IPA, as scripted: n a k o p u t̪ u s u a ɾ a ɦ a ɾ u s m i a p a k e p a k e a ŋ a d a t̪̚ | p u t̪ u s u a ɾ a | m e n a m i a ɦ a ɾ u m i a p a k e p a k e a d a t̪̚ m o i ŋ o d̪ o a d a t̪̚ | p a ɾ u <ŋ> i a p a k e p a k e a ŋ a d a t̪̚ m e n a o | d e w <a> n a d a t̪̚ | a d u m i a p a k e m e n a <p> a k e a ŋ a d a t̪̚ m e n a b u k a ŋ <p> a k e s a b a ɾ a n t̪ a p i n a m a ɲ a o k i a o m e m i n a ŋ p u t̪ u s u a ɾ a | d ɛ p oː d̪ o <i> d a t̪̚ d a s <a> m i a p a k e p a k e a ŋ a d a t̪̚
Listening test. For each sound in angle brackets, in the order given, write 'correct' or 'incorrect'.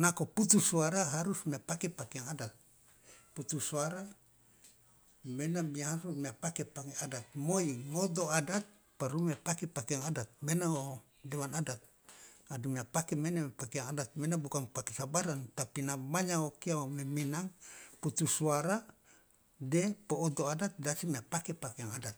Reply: incorrect: m, correct, correct, correct, incorrect: a, incorrect: i

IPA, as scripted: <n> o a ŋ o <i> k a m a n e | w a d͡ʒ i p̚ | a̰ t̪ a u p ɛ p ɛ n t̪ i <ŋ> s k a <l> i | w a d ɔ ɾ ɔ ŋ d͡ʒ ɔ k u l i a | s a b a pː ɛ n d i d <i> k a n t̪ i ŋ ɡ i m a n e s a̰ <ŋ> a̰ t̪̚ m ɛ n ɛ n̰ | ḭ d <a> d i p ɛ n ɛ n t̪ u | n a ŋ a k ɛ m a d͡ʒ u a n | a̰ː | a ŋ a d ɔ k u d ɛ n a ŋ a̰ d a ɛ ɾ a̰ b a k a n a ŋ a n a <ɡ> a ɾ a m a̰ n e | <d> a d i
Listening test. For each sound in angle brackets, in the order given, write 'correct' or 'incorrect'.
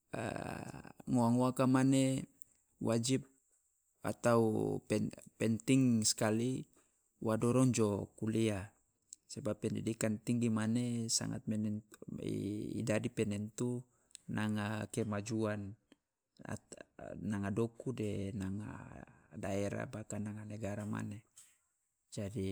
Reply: incorrect: ŋ, incorrect: a, correct, correct, correct, correct, correct, correct, incorrect: d͡ʒ

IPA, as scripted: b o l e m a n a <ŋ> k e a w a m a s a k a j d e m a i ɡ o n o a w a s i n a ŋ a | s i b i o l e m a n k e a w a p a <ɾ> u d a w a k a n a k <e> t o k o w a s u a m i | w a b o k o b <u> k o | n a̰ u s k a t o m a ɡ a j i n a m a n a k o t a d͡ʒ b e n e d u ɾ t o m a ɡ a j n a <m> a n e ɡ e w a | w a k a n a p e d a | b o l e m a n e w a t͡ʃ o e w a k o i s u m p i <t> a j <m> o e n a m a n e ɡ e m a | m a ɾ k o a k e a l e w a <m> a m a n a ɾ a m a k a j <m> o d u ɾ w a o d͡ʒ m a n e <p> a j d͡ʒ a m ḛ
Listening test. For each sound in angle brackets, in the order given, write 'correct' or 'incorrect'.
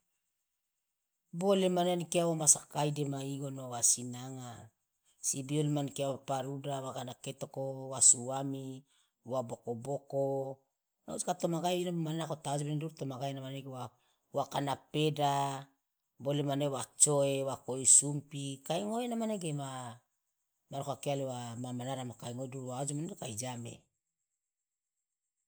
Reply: incorrect: n, correct, correct, incorrect: o, correct, incorrect: k, incorrect: ŋ, correct, incorrect: ŋ, incorrect: k

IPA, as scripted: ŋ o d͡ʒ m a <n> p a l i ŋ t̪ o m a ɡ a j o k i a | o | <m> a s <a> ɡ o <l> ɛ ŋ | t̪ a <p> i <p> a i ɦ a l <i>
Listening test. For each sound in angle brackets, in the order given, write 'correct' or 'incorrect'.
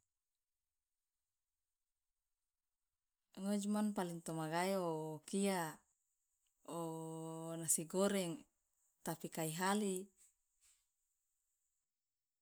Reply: correct, incorrect: n, incorrect: i, incorrect: ɾ, correct, incorrect: k, correct

